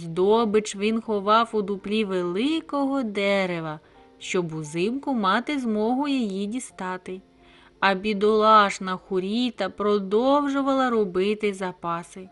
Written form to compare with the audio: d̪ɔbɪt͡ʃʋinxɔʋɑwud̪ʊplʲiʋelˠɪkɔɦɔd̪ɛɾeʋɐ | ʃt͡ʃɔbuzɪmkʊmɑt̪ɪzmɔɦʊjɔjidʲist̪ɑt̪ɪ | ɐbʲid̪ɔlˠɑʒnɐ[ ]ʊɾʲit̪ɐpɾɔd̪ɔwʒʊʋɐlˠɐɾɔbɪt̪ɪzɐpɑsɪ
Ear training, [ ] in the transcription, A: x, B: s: A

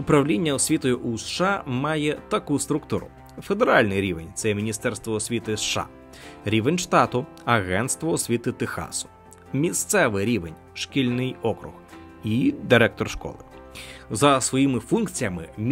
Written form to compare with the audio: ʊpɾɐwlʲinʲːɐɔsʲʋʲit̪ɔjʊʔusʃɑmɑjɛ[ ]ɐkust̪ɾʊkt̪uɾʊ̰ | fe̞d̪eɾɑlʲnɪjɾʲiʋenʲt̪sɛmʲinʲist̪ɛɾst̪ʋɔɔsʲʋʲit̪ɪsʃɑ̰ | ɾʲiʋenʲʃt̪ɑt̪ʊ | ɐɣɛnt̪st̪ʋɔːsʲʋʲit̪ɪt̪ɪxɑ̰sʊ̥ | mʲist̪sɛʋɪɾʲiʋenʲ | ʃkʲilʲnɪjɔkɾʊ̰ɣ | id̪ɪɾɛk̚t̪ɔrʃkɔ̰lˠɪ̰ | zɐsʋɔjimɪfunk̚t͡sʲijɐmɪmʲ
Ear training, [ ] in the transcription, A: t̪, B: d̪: A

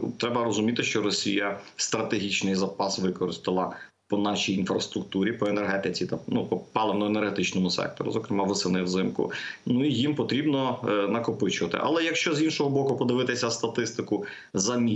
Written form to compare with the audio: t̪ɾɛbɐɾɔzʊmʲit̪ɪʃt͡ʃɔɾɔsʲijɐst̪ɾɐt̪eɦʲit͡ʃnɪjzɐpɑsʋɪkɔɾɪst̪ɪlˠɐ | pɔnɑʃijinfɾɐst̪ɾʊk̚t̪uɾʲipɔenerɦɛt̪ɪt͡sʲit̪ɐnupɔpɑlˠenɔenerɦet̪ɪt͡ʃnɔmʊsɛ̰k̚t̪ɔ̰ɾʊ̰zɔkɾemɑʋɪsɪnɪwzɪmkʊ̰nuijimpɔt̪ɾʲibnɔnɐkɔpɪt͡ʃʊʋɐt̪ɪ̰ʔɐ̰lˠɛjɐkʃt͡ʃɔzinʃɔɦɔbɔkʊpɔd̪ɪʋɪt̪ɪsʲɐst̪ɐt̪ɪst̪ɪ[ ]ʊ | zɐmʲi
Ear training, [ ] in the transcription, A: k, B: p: A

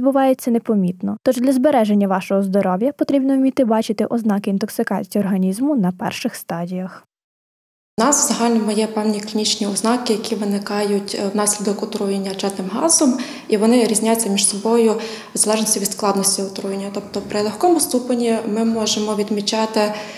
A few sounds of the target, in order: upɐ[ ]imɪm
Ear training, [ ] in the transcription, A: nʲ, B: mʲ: A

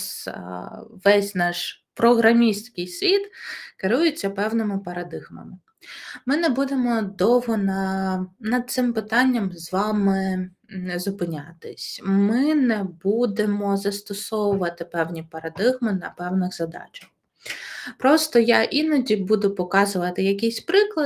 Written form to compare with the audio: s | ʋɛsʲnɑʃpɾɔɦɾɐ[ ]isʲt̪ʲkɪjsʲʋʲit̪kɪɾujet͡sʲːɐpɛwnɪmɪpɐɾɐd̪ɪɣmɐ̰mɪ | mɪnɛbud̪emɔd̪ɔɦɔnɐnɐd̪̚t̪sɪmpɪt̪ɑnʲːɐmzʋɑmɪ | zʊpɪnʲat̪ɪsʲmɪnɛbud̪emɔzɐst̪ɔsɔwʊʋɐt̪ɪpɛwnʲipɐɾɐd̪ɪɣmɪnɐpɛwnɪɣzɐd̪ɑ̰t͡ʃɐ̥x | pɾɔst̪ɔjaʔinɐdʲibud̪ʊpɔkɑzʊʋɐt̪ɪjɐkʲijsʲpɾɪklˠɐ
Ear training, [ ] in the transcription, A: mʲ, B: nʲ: A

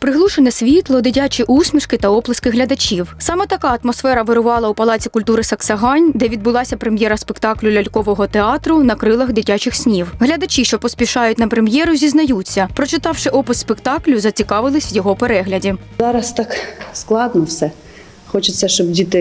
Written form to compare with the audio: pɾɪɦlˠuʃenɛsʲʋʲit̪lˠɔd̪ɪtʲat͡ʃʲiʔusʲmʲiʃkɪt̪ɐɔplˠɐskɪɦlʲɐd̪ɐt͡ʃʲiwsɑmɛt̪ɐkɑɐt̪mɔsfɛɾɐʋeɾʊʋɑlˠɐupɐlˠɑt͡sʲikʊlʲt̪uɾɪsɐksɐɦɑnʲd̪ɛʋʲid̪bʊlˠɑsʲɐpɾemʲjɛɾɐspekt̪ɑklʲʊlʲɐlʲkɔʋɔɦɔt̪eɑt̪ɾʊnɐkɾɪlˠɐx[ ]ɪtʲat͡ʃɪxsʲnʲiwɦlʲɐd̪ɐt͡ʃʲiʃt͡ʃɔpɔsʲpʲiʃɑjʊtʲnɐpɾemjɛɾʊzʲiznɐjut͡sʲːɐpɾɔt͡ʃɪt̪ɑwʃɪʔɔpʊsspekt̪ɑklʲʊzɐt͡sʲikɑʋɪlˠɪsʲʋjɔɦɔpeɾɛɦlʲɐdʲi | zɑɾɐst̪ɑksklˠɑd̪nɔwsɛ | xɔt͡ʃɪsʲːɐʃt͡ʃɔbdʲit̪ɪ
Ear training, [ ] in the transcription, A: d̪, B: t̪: A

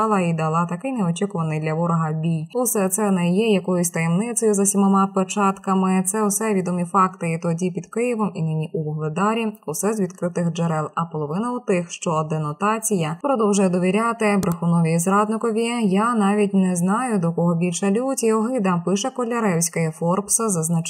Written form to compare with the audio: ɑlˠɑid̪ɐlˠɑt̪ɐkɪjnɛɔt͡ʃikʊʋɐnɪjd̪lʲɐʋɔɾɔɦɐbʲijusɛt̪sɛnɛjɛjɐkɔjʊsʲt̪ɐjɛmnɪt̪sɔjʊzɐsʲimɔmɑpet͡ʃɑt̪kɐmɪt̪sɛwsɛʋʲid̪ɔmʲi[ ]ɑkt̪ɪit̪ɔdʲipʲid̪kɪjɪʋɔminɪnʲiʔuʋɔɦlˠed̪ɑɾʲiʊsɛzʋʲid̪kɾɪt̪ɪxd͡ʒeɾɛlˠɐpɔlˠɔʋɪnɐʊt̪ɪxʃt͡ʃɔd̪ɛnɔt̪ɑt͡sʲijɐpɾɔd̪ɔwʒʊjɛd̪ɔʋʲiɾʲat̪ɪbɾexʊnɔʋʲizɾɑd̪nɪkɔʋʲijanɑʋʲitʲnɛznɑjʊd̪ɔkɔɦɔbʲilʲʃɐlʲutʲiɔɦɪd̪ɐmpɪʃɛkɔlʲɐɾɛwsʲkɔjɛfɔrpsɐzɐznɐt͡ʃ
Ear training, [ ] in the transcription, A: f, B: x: A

